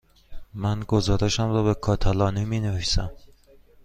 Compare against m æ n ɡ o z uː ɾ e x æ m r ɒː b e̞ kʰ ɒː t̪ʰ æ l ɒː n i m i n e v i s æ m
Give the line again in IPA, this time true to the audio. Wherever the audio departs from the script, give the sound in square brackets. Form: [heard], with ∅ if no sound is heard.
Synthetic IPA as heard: m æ n ɡ o z [ɒː] ɾ e [ʃ] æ m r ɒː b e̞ kʰ ɒː t̪ʰ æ l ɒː n i m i n e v i s æ m